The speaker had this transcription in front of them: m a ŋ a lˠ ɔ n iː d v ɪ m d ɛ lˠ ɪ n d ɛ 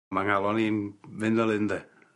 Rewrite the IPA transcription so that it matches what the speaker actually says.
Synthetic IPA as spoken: m a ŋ a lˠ ɔ n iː n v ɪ n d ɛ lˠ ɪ n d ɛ